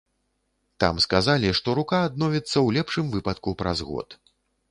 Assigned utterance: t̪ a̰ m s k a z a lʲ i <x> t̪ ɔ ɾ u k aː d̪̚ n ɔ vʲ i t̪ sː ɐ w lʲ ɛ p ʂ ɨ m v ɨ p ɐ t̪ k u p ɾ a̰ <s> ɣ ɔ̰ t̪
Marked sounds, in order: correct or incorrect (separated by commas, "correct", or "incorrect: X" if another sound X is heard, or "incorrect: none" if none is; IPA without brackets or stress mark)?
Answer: incorrect: ʂ, incorrect: z